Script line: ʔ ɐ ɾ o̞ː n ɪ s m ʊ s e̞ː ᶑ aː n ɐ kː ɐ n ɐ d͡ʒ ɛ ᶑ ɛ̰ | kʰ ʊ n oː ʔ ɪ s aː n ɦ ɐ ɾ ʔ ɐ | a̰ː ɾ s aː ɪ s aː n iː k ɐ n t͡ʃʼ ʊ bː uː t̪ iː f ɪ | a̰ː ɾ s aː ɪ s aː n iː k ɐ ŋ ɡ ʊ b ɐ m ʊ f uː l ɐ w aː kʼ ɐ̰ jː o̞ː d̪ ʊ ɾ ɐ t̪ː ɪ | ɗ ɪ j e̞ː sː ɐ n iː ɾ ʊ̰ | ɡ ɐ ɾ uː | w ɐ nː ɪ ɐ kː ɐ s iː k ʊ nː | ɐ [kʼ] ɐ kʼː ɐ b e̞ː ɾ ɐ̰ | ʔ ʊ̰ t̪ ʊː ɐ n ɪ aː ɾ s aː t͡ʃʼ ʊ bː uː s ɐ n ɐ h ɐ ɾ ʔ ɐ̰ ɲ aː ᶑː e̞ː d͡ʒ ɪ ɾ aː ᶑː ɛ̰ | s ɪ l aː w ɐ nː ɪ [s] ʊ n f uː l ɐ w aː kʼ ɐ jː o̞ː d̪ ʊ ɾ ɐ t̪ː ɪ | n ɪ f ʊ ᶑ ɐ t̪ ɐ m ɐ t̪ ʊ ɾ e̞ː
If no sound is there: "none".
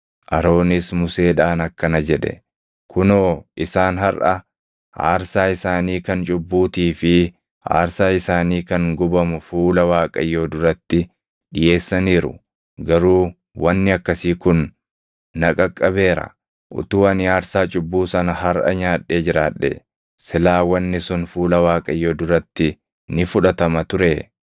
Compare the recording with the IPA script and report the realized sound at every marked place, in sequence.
kʼ, s

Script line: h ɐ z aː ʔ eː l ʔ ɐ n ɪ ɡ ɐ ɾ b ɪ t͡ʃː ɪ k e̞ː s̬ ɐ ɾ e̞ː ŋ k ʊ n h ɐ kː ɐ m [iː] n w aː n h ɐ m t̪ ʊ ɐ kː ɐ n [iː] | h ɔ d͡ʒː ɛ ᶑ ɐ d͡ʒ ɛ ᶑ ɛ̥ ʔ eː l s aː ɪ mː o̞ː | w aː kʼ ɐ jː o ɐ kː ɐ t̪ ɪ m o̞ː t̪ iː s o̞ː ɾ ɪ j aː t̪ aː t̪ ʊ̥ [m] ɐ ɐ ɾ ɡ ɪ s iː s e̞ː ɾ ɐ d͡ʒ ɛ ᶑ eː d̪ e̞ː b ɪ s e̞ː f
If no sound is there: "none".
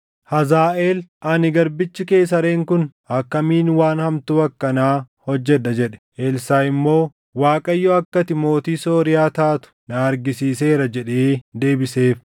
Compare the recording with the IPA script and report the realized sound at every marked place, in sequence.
iː, aː, n

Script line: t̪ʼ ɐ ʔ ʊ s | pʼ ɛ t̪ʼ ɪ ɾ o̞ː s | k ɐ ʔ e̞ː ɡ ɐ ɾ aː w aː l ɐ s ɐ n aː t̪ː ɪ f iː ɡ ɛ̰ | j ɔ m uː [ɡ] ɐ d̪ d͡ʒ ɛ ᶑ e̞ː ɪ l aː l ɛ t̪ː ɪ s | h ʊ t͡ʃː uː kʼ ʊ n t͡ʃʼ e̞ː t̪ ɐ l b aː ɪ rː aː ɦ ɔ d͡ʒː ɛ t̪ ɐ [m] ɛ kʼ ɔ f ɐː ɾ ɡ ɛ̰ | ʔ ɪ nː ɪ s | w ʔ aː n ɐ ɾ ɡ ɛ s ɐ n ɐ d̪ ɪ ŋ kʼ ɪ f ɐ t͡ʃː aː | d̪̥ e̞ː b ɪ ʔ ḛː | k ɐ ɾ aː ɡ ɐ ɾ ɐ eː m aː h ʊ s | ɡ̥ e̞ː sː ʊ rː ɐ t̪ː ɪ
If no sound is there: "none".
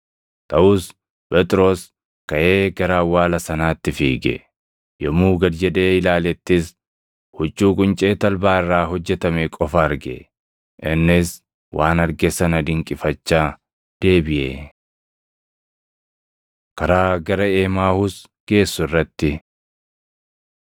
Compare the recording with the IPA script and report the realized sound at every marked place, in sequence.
ɡ, m

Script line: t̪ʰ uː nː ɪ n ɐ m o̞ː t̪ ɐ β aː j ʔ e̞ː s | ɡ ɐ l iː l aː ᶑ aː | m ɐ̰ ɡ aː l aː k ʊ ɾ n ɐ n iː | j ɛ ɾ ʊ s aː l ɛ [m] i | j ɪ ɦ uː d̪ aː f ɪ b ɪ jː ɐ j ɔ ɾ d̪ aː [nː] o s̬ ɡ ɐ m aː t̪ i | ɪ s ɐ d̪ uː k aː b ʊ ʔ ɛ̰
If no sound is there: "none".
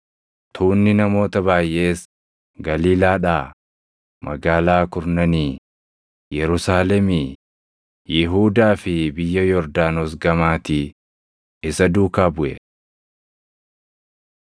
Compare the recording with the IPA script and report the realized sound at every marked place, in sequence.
m, n

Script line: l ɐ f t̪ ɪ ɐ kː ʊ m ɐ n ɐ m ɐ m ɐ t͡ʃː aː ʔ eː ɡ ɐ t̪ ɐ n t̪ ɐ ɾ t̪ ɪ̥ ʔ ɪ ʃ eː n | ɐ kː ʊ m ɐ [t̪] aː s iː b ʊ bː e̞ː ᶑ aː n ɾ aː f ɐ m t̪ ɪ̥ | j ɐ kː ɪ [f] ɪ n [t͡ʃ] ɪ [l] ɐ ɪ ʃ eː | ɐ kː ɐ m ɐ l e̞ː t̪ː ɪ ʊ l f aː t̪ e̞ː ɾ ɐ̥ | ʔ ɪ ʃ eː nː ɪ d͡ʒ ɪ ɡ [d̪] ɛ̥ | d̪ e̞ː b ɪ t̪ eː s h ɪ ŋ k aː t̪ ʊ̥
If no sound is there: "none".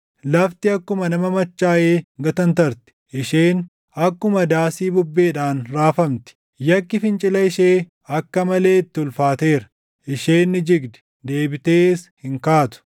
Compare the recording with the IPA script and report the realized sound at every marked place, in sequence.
d̪, f, t͡ʃʼ, l, d̪

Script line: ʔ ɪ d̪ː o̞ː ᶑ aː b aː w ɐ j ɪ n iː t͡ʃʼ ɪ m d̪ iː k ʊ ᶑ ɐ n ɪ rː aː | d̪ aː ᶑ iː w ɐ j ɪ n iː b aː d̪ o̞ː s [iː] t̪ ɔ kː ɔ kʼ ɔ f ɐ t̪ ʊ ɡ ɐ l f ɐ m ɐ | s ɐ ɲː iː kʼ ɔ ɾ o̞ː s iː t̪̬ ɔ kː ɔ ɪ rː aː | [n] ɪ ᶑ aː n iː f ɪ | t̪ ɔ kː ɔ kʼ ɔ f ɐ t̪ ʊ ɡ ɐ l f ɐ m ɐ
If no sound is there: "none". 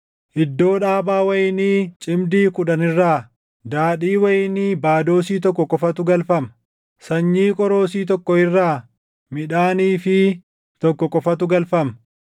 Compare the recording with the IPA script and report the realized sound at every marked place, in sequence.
iː, m

